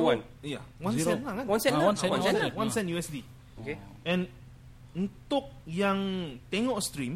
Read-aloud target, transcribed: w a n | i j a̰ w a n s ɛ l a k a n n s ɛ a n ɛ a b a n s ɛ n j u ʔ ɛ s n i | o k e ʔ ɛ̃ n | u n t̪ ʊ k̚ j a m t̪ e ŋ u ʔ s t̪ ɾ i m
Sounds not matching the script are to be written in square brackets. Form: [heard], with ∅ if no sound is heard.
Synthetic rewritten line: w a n | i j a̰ w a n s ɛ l a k a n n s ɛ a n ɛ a [w] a n s ɛ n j u [∅] ɛ s [d] i | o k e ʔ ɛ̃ n | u n t̪ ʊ k̚ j a [ŋ] t̪ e ŋ [ɔ] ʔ s t̪ ɾ i m